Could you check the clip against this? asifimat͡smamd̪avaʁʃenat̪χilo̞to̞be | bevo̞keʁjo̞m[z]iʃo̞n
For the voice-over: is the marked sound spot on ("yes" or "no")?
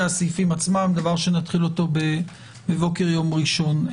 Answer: no